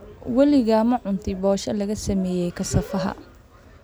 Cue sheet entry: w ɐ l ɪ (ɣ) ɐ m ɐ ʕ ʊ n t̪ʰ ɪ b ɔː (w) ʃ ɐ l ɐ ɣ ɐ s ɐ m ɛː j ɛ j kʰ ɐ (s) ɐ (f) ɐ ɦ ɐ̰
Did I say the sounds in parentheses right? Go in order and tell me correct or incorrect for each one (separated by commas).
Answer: correct, incorrect, correct, correct